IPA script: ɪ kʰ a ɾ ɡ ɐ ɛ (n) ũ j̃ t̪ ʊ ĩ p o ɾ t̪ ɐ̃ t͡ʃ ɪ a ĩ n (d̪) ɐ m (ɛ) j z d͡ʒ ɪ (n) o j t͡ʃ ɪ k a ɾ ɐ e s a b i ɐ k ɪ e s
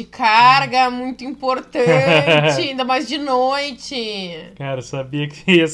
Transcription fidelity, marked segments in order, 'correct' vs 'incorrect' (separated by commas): incorrect, correct, incorrect, correct